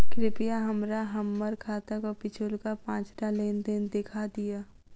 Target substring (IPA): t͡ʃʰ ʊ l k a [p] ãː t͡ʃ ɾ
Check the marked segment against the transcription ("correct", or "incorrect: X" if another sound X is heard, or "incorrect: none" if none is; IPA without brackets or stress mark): correct